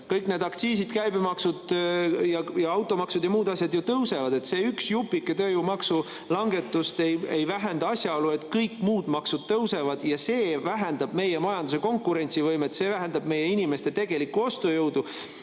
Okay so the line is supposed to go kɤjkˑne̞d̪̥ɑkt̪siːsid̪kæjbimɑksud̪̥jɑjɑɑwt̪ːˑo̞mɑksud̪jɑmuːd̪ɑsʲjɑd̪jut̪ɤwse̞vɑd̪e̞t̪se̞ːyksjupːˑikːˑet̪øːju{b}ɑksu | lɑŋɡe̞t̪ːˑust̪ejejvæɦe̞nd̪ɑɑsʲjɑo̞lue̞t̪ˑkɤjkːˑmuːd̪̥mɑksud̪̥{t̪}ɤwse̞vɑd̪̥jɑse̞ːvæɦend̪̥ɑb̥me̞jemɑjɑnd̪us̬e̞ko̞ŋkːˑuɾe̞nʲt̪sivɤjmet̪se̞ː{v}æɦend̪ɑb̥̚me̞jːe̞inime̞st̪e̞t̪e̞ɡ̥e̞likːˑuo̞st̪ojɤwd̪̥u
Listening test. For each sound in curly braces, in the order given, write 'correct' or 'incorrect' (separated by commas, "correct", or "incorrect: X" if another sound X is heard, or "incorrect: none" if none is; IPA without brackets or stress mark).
incorrect: m, correct, correct